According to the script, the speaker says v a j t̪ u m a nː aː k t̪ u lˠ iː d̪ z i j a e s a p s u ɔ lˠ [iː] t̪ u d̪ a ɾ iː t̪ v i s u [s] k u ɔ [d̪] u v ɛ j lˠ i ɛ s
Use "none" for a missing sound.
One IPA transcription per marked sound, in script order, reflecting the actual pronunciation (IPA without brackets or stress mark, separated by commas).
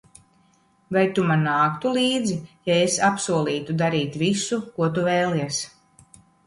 iː, none, t̪